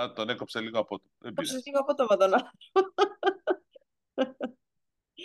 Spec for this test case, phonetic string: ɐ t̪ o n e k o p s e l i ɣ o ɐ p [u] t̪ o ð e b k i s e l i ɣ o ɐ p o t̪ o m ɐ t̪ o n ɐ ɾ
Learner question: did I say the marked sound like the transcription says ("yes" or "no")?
no